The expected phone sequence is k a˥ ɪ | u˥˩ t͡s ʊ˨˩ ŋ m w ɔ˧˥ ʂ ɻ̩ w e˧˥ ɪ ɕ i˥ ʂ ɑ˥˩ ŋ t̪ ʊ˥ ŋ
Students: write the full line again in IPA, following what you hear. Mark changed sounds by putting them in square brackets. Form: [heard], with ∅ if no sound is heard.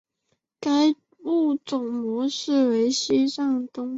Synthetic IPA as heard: k a˥ ɪ | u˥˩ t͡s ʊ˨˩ ŋ m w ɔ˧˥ ʂ ɻ̩ w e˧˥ ɪ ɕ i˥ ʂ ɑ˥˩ ŋ t̪ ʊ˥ ŋ